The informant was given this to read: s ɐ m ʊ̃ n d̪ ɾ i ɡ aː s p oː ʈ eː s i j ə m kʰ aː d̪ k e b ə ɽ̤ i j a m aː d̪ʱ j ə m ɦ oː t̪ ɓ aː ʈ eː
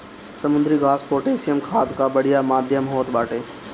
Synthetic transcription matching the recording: s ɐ m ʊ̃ n d̪ ɾ i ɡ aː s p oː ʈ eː s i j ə m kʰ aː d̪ k a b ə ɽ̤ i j a m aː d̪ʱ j ə m ɦ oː t̪ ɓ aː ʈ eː